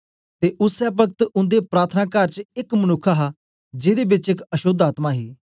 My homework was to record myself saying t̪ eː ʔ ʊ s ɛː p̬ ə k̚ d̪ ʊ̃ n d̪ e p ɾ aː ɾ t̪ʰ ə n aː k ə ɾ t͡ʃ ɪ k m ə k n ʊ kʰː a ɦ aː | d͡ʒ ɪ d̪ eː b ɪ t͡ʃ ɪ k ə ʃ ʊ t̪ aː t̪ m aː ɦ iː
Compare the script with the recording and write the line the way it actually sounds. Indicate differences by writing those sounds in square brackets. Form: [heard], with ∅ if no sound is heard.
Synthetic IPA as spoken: t̪ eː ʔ ʊ s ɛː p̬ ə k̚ [t̪] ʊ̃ n d̪ e p ɾ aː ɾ t̪ʰ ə n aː k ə ɾ t͡ʃ ɪ k m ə [∅] n ʊ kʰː a ɦ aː | d͡ʒ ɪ d̪ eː b ɪ t͡ʃ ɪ k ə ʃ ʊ [d̪] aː t̪ m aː ɦ iː